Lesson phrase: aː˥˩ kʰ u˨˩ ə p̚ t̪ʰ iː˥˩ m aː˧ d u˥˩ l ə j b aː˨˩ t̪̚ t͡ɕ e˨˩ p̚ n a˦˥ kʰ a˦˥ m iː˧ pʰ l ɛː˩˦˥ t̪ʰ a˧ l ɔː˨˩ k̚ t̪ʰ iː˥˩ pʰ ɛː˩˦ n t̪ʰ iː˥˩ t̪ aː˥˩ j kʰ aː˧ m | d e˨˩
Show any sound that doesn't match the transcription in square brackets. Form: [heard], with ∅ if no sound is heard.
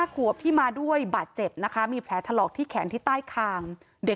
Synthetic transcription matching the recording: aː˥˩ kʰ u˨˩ ə p̚ t̪ʰ iː˥˩ m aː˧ d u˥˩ [∅] ə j b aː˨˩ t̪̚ t͡ɕ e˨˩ p̚ n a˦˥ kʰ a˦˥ m iː˧ pʰ l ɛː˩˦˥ t̪ʰ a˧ l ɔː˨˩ k̚ t̪ʰ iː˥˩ [kʰ] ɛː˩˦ n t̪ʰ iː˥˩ t̪ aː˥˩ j kʰ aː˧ [ŋ] | d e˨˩

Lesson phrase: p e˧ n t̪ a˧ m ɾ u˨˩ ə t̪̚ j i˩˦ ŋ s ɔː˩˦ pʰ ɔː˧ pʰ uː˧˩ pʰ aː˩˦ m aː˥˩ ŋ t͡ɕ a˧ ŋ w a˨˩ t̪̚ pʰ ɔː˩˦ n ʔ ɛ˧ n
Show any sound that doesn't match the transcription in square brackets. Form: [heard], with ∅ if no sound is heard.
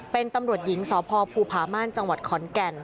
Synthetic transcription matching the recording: p e˧ n t̪ a˧ m ɾ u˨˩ ə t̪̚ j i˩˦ ŋ s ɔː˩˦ pʰ ɔː˧ pʰ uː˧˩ pʰ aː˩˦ m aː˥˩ [n] t͡ɕ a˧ ŋ w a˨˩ t̪̚ [kʰ] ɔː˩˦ n [k] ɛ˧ n

